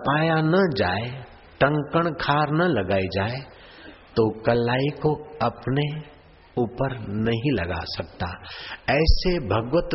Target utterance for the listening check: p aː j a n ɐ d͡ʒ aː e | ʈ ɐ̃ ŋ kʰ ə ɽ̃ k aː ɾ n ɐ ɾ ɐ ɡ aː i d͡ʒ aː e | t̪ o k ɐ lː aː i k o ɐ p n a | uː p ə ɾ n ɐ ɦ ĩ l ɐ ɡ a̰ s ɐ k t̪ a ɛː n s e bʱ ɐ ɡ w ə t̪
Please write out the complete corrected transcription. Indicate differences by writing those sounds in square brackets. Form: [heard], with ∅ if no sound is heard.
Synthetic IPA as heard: p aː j a n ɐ d͡ʒ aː e | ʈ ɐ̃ ŋ [k] ə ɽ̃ [kʰ] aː ɾ n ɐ [l] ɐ ɡ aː i d͡ʒ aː e | t̪ o k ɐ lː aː i k o ɐ p n [e] | uː p ə ɾ n ɐ ɦ ĩ l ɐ ɡ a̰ s ɐ k t̪ a ɛː [∅] s e bʱ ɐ ɡ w ə t̪